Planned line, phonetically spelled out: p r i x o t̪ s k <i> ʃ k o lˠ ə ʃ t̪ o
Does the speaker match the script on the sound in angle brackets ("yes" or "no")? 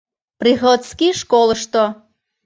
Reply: yes